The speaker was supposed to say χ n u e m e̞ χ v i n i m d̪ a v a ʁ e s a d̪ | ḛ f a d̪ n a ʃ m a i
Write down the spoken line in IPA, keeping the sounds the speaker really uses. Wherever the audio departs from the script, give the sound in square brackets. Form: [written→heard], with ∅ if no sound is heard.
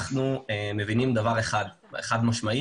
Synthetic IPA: χ n u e m e̞ [χ→∅] v i n i m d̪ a v a ʁ e [s→χ] a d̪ | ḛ [f→χ] a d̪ [n→m] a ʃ m a i